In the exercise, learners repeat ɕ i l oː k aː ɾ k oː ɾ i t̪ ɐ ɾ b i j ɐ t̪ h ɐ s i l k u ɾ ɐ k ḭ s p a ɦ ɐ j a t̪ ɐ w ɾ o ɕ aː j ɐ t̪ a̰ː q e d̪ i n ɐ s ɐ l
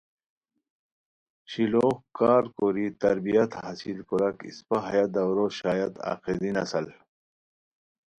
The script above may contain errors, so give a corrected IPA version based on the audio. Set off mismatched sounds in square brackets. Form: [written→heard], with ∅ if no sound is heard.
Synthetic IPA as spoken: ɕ i l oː k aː ɾ k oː ɾ i t̪ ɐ ɾ b i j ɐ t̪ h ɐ s i l k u ɾ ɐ k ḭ s p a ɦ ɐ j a [t̪→d̪] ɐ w ɾ o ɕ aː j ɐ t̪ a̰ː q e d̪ i n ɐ s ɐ l

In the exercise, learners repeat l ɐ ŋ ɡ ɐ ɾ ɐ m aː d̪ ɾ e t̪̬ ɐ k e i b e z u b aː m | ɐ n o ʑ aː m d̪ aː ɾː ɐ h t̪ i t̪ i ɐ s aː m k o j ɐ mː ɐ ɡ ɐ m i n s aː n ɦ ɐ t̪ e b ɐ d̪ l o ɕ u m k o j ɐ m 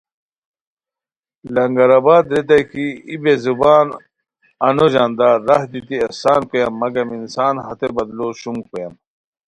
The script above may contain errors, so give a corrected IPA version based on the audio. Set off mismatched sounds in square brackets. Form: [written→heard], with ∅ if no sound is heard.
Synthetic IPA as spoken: l ɐ ŋ ɡ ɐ ɾ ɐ [m→b] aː d̪ ɾ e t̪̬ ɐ k [e→i] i b e z u b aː [m→n] | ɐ n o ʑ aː [m→n] d̪ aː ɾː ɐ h [t̪→d̪] i t̪ i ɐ s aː [m→n] k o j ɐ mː ɐ ɡ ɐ m i n s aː n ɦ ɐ t̪ e b ɐ d̪ l o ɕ u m k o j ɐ m

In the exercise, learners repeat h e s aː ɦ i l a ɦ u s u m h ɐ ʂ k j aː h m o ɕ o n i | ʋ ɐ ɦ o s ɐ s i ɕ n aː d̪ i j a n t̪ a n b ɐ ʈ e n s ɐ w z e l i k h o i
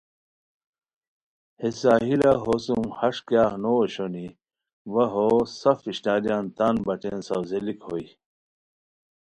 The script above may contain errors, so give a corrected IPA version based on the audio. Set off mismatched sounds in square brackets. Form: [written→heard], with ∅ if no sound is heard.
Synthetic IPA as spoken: h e s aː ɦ i l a ɦ [u→o] s u m h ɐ ʂ k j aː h [m→n] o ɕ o n i | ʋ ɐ ɦ o s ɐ [s→f] i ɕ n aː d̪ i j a n t̪ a n b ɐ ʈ e n s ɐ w z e l i k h o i

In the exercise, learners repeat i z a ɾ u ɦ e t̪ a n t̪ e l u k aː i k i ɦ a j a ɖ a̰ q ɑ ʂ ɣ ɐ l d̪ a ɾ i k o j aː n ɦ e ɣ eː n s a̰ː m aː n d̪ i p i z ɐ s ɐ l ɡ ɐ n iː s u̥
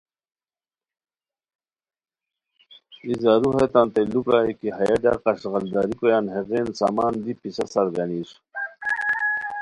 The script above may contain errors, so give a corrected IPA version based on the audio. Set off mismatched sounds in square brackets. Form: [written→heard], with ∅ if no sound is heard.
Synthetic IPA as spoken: i z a ɾ u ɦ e t̪ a n t̪ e l u k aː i k i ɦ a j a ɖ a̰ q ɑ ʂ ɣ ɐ l d̪ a ɾ i k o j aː n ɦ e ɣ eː n s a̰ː m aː n d̪ i p i [z→s] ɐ s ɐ [l→ɾ] ɡ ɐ n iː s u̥

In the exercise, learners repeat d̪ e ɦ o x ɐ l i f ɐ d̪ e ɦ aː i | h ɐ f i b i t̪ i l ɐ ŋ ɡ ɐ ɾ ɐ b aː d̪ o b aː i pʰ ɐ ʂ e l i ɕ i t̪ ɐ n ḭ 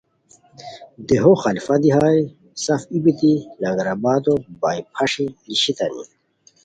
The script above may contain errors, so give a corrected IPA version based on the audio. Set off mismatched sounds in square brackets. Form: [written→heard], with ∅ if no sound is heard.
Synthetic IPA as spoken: d̪ e ɦ o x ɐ l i f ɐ d̪ [e→i] ɦ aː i | [h→s] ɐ f i b i t̪ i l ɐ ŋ ɡ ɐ ɾ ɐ b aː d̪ o b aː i pʰ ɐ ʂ [e→i] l i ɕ i t̪ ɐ n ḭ

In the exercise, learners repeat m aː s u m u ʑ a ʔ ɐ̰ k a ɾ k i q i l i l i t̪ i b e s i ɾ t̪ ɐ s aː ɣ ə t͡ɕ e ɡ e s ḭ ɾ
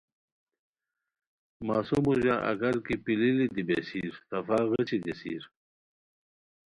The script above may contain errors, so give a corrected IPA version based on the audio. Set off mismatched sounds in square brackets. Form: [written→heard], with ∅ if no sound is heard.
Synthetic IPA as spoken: m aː s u m u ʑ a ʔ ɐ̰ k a ɾ k i [q→p] i l i l i [t̪→d̪] i b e s i ɾ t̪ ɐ [s→f] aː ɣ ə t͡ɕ [e→i] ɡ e s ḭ ɾ

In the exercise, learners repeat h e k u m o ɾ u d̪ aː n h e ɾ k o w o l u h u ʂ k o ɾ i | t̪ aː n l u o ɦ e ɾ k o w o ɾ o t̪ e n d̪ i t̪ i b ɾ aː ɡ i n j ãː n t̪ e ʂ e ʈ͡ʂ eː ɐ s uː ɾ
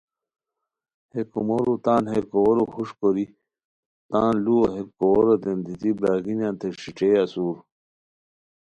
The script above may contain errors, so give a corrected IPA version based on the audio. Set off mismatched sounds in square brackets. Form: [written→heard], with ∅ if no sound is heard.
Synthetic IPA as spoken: h e k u m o ɾ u [d̪→t̪] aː n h e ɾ k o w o [l→ɾ] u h u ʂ k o ɾ i | t̪ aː n l u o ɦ e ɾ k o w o ɾ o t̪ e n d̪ i t̪ i b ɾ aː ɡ i n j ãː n t̪ e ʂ [e→i] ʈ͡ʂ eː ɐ s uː ɾ

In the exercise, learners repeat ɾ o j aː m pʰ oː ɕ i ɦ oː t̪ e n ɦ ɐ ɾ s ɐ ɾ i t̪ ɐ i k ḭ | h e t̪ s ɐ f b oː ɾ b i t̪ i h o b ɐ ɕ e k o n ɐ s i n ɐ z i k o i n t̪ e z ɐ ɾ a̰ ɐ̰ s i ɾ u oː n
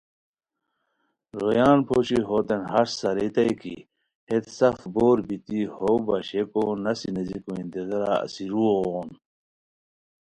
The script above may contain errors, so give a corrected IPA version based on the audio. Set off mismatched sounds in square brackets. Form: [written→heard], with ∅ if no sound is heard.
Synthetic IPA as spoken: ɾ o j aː [m→n] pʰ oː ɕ i ɦ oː t̪ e n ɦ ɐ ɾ s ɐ ɾ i t̪ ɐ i k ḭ | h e t̪ s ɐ f b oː ɾ b i t̪ i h o b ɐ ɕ e k o n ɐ s i n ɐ z i k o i n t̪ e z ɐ ɾ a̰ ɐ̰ s i ɾ u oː n

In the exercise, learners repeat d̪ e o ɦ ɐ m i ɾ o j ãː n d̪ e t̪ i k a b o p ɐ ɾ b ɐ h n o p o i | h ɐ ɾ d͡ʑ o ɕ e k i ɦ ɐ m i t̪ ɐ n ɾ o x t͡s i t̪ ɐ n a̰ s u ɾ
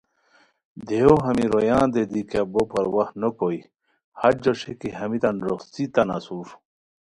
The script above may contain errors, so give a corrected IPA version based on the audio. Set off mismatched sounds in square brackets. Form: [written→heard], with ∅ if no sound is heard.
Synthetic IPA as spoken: d̪ e o ɦ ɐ m i ɾ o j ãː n d̪ e [t̪→d̪] i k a b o p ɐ ɾ [b→w] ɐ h n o [p→k] o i | h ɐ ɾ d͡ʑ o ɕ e k i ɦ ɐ m i t̪ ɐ n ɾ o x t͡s i t̪ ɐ n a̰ s u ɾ

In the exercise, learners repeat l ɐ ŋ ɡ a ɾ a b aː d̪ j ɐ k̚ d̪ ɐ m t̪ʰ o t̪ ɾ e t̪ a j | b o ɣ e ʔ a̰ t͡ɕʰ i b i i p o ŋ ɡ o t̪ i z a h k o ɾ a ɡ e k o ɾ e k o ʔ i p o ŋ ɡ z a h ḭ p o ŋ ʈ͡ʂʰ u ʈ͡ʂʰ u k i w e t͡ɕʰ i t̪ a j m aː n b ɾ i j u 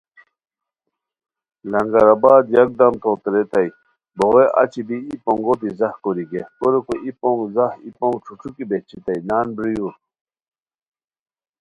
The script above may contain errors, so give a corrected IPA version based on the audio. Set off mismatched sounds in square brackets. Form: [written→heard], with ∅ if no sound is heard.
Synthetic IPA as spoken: l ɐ ŋ ɡ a ɾ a b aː d̪ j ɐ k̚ d̪ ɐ m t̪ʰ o t̪ ɾ e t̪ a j | b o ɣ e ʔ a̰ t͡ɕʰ i b i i p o ŋ ɡ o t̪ i z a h k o ɾ [a→i] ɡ e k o ɾ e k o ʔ i p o ŋ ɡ z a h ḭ p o ŋ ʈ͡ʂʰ u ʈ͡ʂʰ u k i [w→b] e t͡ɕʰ i t̪ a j [m→n] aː n b ɾ i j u

